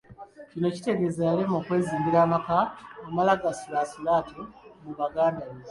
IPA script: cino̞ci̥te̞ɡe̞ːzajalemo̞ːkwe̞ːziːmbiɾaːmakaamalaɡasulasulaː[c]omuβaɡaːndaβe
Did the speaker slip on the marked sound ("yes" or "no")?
yes